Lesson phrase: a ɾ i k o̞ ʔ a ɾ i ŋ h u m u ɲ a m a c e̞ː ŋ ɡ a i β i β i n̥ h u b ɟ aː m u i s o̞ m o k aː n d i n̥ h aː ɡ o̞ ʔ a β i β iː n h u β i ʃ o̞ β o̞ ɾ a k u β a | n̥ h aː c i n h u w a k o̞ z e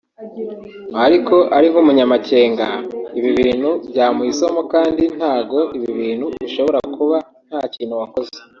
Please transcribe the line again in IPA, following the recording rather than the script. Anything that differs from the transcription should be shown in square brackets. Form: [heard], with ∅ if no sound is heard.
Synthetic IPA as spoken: a ɾ i k o̞ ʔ a ɾ i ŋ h u m u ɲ a m a c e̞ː ŋ ɡ a i β i β [iː] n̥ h u b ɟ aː m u i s o̞ m o k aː n d i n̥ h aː ɡ o̞ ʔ [i] β i β iː n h u β i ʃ o̞ β o̞ ɾ a k u β a | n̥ h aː c [iː] n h u w a k o̞ z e